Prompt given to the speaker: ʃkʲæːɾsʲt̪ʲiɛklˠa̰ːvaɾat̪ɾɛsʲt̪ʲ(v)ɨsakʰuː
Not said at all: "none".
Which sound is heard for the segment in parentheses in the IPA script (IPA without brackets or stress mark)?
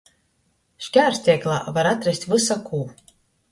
v